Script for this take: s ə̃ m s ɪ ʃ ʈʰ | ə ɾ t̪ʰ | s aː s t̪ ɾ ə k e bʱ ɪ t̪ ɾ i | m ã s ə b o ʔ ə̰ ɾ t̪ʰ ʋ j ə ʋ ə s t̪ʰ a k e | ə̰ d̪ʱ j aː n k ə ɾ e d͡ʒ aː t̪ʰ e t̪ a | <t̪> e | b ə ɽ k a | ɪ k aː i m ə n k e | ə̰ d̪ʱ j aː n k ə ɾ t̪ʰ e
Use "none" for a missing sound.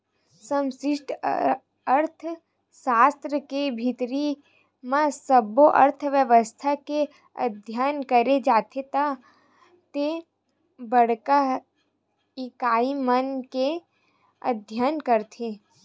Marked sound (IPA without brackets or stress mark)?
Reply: t̪